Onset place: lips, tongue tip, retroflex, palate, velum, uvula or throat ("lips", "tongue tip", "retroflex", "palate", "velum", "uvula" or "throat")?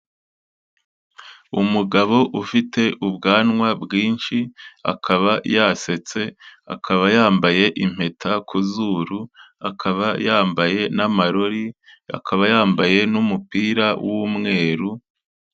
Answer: lips